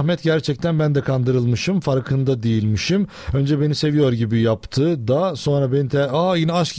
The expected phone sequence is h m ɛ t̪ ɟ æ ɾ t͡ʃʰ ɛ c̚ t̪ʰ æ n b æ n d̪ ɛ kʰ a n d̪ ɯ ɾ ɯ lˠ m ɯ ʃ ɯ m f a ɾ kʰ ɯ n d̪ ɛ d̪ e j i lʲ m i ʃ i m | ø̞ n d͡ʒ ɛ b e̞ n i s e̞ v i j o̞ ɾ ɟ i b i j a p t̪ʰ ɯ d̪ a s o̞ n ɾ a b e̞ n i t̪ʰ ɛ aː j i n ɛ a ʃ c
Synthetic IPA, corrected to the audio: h m ɛ t̪ ɟ æ ɾ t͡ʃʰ ɛ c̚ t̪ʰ æ n b æ n d̪ ɛ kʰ a n d̪ ɯ ɾ ɯ lˠ m ɯ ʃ ɯ m f a ɾ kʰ ɯ n d̪ a d̪ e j i lʲ m i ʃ i m | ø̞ n d͡ʒ ɛ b e̞ n i s e̞ v i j o̞ ɾ ɟ i b i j a p t̪ʰ ɯ d̪ a s o̞ n ɾ a b e̞ n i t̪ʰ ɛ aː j i n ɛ a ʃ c